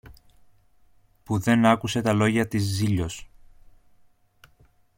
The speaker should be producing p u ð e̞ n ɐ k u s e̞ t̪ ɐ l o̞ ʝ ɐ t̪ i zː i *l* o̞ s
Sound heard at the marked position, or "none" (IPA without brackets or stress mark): ʎ